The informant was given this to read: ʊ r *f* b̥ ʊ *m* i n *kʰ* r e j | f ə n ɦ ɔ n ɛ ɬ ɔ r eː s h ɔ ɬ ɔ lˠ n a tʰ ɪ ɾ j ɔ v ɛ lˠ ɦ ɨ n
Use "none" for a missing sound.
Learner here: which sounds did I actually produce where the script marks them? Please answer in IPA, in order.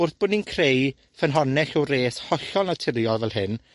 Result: θ, n, kʰ

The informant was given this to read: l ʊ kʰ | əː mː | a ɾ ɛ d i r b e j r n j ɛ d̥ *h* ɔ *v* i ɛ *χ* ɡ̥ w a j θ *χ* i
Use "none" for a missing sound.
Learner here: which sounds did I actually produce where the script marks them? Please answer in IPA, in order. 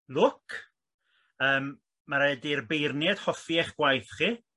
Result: h, f, χ, χ

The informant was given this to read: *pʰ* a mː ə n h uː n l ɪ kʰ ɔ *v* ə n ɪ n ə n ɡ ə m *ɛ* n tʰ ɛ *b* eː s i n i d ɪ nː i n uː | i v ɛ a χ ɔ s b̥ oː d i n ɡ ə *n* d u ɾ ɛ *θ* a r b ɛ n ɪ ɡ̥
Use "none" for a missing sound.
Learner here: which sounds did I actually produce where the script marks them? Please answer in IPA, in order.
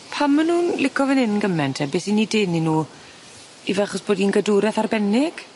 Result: pʰ, v, ɛ, b, none, θ

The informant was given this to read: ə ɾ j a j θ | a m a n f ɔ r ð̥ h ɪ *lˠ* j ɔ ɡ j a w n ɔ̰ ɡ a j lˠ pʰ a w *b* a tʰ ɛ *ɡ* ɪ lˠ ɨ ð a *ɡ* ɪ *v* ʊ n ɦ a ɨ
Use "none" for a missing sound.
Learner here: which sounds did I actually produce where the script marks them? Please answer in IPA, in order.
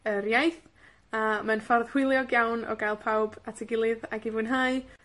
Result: lˠ, b, ɡ, ɡ, v

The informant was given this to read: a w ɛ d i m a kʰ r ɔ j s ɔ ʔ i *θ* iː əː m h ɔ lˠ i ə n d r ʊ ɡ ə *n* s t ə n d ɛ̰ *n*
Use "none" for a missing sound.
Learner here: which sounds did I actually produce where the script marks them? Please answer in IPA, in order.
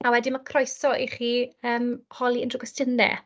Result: χ, none, none

